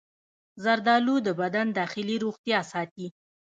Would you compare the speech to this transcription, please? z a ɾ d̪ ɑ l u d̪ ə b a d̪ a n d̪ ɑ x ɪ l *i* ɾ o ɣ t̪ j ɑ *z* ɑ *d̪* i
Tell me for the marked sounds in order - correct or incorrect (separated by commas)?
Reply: correct, incorrect, incorrect